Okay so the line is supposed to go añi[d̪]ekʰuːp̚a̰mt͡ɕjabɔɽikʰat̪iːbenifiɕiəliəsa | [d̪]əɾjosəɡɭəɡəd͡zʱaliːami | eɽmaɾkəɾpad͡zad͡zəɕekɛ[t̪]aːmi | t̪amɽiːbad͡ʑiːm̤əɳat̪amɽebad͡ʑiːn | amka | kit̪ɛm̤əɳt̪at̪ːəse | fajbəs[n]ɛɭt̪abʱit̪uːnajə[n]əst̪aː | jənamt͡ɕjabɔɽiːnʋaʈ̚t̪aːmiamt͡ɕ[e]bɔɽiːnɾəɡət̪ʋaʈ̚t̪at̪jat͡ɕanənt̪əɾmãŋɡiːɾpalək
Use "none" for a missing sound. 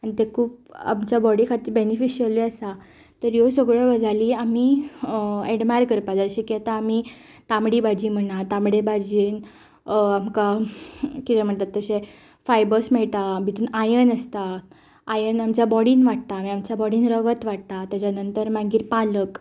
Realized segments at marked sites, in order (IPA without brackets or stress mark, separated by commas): t̪, t̪, t̪, m, n, a